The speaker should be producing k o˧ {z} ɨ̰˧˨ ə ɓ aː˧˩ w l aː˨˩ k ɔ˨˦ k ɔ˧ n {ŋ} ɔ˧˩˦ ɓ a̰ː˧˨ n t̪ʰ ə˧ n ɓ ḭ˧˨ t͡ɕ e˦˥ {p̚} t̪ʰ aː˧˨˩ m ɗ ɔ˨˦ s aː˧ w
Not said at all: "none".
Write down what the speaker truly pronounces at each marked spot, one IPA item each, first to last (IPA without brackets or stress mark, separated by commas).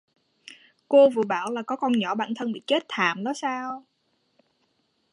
v, ɲ, t̚